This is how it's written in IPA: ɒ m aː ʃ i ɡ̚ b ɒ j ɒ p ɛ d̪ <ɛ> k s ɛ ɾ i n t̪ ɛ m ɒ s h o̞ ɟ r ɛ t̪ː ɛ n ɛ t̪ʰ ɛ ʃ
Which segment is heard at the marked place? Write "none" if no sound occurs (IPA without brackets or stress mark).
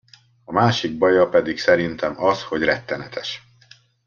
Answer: i